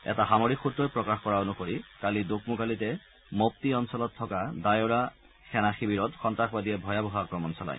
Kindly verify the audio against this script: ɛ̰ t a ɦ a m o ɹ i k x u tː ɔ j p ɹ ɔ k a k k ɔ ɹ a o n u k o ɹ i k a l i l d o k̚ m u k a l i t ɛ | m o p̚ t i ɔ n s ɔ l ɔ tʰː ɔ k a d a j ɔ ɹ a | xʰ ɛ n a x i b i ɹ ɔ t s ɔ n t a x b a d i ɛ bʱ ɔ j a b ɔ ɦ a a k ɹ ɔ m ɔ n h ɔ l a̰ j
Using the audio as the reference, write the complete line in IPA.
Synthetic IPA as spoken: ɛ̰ t a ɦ a m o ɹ i k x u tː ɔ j p ɹ ɔ k a x k ɔ ɹ a o n u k o ɹ i k a l i d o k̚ m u k a l i t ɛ | m o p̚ t i ɔ n s ɔ l ɔ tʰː ɔ k a d a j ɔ ɹ a | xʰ ɛ n a x i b i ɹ ɔ t x ɔ n t a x b a d i ɛ bʱ ɔ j a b ɔ ɦ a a k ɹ ɔ m ɔ n s ɔ l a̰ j